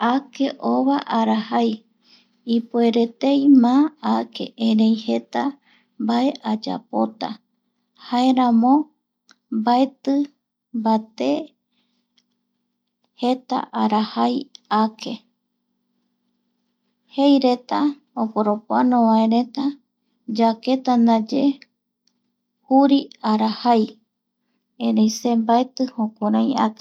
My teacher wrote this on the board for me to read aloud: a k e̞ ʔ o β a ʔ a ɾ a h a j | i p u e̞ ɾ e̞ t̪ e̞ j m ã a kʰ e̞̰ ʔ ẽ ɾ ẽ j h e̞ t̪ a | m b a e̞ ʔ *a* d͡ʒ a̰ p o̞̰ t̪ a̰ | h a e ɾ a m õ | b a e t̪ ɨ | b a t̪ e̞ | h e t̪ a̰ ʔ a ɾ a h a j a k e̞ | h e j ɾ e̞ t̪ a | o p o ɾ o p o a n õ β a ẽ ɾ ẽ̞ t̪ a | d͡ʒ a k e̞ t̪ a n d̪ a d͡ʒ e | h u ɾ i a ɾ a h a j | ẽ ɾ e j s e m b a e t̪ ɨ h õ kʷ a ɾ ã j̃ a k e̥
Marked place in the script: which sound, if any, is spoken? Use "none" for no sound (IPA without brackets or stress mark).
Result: a